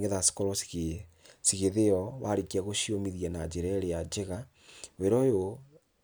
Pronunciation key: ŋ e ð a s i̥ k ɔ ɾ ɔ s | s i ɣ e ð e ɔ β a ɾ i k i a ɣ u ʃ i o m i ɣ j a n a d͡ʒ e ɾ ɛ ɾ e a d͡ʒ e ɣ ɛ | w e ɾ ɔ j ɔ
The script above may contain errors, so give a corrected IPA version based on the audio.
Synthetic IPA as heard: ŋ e ð a s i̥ k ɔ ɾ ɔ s | s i ɣ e ð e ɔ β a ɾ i k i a ɣ o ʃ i o m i ð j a n a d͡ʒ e ɾ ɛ ɾ e a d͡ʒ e ɣ a | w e ɾ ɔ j o